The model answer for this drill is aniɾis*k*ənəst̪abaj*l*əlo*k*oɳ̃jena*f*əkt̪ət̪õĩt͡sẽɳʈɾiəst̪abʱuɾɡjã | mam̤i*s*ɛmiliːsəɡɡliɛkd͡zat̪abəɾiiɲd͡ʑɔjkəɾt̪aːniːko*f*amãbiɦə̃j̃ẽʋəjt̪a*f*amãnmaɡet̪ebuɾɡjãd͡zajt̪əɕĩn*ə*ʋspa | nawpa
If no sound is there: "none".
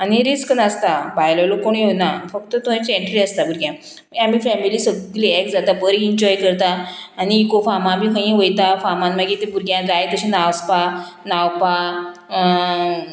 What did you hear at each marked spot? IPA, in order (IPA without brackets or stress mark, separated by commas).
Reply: k, l, k, f, f, f, f, a